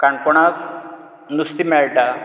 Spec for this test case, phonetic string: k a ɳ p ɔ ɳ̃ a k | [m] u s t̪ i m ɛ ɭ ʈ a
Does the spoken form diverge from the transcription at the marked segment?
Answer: yes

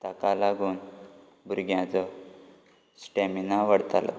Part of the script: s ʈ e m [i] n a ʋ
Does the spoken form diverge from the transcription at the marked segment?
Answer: no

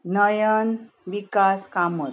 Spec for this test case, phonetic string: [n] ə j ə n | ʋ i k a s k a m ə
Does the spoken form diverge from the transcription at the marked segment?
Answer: no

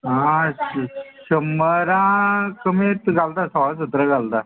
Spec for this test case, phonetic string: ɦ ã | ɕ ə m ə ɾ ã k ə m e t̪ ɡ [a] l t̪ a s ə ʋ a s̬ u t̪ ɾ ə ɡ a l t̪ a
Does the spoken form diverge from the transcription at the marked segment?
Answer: no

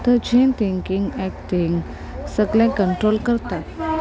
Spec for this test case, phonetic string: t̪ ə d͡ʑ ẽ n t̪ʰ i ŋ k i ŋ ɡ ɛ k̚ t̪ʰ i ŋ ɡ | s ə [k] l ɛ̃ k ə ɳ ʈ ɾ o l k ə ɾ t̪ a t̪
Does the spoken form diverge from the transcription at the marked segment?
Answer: yes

